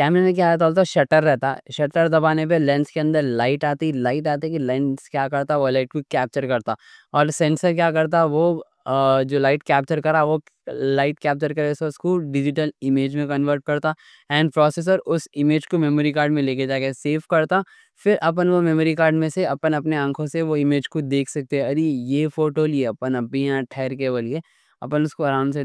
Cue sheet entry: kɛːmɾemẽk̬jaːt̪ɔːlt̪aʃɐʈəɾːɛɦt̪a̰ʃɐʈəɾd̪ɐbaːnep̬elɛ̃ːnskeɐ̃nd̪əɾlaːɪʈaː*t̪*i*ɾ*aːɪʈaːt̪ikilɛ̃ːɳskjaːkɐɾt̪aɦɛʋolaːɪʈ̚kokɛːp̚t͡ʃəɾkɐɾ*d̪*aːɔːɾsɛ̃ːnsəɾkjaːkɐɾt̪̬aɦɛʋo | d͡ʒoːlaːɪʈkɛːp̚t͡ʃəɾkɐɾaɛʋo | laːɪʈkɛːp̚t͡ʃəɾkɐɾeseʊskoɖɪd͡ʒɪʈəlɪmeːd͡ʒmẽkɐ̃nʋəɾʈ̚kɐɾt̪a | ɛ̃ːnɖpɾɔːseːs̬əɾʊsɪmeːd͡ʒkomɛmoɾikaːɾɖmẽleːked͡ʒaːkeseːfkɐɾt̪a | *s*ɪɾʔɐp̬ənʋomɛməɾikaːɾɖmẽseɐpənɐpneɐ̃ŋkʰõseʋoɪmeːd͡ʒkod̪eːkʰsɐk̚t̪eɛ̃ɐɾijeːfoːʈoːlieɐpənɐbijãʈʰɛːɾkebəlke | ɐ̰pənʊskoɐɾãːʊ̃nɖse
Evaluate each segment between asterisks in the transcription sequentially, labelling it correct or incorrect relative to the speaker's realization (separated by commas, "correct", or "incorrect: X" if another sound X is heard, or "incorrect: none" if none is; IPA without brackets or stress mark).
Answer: correct, incorrect: l, incorrect: t̪, incorrect: f